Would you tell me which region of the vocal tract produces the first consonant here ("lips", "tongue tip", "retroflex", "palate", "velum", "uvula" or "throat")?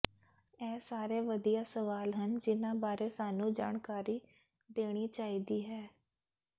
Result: tongue tip